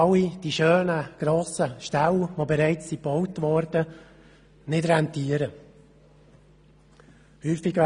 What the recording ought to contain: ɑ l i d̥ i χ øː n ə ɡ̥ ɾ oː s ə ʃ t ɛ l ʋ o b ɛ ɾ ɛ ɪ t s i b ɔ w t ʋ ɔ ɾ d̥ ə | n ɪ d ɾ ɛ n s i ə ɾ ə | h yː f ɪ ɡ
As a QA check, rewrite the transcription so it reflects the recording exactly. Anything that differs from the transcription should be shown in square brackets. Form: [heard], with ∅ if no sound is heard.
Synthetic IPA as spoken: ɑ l i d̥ i [ʃ] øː n ə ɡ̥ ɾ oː s ə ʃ t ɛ l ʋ o b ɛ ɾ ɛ ɪ [t͡s] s i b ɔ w t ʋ ɔ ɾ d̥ ə | n ɪ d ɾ ɛ n [t] i ə ɾ ə | h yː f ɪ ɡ